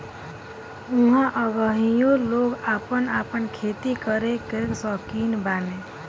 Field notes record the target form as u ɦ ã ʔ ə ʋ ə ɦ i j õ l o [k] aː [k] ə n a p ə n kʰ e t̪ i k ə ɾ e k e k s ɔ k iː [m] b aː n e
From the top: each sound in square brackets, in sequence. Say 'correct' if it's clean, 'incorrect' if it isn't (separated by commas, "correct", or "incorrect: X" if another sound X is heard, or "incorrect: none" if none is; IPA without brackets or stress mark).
incorrect: ɡ, incorrect: p, incorrect: n